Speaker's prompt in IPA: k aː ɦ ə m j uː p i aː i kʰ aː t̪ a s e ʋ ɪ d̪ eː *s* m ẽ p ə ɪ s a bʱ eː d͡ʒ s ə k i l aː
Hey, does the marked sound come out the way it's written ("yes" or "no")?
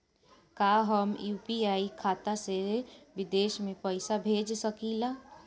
no